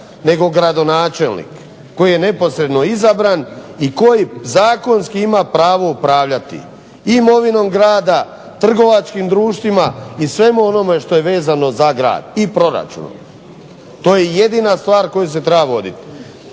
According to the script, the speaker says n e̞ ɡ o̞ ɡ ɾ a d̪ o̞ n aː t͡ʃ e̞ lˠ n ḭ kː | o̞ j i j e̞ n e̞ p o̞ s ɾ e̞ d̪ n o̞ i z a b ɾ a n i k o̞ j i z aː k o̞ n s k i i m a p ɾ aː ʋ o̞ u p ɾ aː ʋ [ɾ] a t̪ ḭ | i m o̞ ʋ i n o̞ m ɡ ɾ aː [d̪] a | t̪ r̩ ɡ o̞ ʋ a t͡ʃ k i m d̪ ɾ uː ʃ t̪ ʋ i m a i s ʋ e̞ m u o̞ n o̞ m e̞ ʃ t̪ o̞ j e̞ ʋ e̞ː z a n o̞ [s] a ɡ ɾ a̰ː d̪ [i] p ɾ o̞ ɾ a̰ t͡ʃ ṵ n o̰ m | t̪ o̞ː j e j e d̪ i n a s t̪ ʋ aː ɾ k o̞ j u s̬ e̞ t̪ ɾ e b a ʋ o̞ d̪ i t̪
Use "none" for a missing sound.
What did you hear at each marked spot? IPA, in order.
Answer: ʎ, d̪, z, i

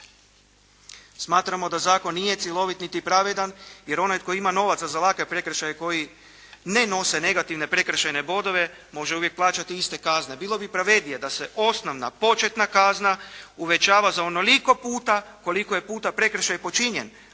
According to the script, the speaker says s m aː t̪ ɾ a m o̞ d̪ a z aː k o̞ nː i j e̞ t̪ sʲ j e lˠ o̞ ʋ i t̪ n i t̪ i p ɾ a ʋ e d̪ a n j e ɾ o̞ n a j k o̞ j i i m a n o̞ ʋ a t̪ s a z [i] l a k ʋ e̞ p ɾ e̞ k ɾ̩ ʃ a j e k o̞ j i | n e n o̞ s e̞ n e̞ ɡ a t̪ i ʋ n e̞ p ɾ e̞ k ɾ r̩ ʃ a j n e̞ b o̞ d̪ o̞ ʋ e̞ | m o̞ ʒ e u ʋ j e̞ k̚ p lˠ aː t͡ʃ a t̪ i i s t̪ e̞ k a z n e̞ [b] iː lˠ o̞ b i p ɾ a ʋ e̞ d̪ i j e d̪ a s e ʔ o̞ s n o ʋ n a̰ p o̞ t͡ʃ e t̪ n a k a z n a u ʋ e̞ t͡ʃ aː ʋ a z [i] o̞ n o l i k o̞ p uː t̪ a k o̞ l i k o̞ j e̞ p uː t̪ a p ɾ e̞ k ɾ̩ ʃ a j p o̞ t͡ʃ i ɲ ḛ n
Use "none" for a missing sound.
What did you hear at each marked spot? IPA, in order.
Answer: a, b, a

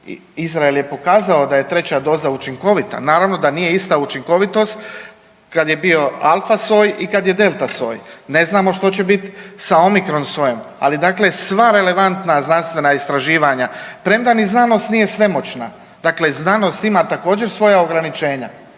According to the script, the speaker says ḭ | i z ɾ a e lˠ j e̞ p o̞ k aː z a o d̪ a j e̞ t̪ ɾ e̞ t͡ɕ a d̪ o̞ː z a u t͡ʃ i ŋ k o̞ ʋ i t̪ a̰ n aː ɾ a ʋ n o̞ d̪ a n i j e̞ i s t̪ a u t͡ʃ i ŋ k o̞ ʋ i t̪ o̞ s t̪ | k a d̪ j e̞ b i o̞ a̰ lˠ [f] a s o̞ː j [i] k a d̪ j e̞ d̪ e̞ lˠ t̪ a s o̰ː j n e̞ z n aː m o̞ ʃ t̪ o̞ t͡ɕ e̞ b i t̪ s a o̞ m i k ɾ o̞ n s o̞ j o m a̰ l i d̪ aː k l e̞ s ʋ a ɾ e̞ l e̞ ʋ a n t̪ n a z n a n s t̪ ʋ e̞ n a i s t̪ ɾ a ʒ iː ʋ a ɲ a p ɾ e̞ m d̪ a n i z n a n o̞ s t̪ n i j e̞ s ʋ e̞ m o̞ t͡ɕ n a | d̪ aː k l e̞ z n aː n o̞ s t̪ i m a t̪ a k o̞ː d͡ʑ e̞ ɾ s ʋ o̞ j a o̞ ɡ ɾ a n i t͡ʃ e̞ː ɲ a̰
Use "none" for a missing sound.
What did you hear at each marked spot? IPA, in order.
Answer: f, i

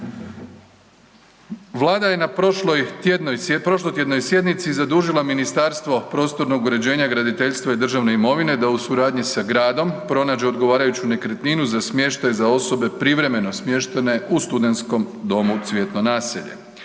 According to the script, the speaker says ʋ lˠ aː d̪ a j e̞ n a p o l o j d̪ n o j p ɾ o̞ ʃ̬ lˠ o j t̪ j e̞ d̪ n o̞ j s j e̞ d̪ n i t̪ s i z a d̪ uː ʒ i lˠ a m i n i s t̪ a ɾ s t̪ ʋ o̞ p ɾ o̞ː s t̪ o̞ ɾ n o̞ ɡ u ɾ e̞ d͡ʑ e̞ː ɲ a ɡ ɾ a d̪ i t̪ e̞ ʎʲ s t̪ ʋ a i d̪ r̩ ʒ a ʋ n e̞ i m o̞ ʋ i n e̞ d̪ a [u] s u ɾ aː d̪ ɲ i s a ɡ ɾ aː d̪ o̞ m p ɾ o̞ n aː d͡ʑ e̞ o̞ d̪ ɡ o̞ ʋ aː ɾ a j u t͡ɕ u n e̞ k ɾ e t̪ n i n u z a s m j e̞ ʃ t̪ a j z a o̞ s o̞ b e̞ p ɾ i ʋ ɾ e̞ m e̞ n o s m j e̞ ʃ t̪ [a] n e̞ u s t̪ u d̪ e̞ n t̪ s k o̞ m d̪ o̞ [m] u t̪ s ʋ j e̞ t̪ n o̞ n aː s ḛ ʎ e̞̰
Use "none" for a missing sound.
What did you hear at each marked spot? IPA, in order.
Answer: u, e, m

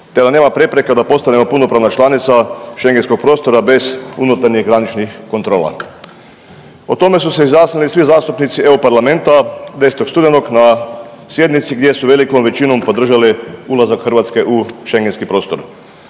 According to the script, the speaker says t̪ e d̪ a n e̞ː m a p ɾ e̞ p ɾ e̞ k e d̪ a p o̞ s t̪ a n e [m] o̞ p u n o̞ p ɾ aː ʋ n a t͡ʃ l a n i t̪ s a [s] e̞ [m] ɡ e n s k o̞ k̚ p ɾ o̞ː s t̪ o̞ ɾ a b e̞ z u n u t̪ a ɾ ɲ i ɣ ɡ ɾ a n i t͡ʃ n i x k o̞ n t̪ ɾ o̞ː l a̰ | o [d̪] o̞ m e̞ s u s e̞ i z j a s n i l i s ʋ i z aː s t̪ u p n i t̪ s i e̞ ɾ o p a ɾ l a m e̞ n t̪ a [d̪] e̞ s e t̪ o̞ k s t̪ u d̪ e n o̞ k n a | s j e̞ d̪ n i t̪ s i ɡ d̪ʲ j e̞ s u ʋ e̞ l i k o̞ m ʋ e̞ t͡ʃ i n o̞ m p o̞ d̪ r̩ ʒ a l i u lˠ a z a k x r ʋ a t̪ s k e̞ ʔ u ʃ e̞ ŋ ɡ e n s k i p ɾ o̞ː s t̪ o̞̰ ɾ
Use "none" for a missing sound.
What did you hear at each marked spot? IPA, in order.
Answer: m, ʃ, ŋ, t̪, d̪

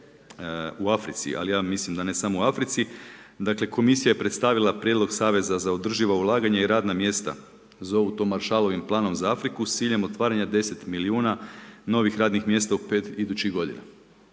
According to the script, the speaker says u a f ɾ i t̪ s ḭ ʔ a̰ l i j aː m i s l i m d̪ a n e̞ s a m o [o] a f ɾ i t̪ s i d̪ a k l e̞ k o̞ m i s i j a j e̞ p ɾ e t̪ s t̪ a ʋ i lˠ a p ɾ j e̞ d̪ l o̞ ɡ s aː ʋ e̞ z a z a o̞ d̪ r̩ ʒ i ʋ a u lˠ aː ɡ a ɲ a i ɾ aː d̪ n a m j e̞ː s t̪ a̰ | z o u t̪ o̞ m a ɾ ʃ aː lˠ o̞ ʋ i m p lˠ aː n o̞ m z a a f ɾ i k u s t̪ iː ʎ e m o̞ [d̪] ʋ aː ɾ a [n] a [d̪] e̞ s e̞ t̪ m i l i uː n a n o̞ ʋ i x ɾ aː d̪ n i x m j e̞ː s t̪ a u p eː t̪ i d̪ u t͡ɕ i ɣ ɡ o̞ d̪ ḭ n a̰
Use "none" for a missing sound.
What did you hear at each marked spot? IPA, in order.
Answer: u, t̪, ɲ, d̪

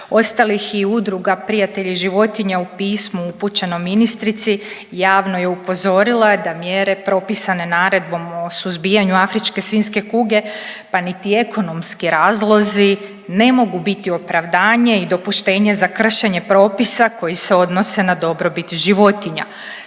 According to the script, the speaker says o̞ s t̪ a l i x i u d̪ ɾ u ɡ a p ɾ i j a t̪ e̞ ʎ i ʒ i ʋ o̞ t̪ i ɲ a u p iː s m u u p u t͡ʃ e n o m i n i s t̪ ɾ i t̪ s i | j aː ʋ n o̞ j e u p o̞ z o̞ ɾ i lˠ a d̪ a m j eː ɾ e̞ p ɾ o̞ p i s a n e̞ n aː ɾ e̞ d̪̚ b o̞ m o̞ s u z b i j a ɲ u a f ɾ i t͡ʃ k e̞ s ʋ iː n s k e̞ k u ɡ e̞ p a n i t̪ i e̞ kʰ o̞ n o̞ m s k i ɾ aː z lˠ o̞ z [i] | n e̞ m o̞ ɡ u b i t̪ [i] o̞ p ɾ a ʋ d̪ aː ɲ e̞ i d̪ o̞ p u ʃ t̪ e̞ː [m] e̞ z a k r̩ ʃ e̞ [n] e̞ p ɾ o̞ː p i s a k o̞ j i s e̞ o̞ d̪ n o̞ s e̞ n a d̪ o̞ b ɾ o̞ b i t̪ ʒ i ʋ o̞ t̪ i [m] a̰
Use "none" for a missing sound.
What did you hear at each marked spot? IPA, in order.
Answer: i, i, ɲ, ɲ, ɲ

